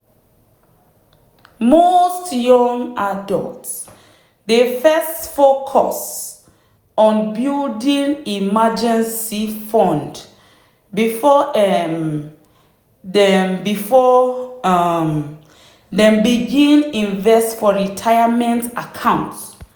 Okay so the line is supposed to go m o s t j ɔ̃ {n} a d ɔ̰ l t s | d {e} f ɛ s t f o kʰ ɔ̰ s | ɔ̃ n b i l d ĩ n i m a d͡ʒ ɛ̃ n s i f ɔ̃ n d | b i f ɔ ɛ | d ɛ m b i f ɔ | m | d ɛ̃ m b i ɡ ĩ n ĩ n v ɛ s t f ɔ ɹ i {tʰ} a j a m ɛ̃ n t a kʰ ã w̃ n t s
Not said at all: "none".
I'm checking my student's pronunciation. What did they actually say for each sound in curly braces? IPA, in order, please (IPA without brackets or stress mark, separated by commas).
ŋ, e, tʰ